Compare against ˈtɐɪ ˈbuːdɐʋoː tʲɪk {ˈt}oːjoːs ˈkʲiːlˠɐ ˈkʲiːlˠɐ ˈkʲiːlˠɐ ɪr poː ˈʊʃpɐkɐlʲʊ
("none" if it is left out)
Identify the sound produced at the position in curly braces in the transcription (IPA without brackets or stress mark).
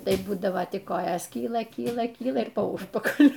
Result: k